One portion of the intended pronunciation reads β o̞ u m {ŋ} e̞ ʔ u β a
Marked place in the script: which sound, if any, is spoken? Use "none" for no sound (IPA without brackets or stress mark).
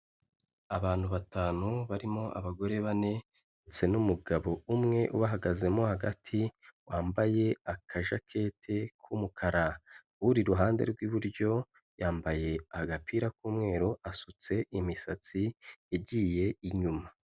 ŋ